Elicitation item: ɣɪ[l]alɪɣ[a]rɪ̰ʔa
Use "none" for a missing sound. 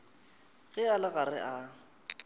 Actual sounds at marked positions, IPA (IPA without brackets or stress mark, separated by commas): none, a